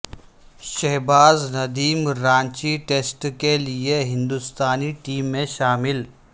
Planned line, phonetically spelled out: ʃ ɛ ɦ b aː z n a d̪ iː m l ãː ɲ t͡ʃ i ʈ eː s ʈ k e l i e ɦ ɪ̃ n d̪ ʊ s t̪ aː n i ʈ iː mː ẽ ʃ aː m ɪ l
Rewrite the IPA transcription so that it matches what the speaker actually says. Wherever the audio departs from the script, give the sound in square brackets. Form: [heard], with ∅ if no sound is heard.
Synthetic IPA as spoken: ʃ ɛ ɦ b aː z n [ɐ] d̪ iː m [ɾ] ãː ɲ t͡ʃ i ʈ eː s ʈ k e l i e ɦ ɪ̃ n d̪ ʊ s t̪ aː n i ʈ iː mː ẽ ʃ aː m ɪ l